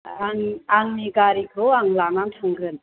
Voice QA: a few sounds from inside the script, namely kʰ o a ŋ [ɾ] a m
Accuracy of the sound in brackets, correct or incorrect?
incorrect